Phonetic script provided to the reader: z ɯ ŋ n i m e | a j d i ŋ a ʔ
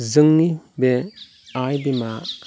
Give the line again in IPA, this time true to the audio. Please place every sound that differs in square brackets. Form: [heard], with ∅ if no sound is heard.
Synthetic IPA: z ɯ ŋ n i [b] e | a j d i [m] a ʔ